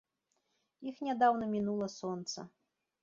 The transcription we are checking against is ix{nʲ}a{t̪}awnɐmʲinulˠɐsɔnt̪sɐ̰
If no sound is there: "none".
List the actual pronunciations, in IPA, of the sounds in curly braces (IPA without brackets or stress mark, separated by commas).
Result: nʲ, d̪